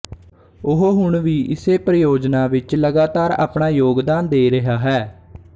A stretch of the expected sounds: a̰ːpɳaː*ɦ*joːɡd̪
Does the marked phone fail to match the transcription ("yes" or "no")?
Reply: yes